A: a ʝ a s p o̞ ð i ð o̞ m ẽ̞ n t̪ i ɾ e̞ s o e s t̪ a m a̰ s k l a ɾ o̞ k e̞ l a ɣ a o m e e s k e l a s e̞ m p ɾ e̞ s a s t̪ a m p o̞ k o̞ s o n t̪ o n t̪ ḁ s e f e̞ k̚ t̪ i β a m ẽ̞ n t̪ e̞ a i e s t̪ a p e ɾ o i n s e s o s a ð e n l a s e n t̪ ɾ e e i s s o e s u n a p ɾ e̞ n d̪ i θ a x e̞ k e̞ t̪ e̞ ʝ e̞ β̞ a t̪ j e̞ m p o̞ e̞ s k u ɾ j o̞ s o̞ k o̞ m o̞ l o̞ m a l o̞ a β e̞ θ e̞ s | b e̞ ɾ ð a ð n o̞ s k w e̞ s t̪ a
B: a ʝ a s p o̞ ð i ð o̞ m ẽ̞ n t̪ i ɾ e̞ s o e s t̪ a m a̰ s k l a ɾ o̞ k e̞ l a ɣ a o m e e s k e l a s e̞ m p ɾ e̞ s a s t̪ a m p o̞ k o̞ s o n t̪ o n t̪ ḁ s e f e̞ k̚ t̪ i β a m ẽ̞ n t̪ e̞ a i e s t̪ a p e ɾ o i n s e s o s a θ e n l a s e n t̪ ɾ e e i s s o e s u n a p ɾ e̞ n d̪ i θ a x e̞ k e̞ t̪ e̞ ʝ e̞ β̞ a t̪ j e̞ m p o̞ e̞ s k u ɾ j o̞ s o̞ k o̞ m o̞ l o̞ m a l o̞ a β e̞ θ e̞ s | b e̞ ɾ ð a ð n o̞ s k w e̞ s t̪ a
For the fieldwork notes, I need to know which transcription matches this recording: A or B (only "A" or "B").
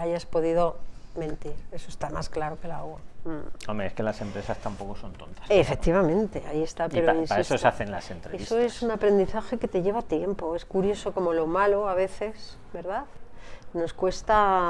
B